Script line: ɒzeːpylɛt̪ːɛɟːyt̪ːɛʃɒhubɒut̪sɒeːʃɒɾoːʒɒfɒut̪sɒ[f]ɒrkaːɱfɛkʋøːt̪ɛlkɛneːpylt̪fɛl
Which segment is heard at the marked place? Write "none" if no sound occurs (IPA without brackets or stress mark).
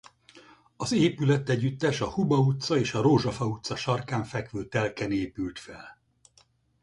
ʃ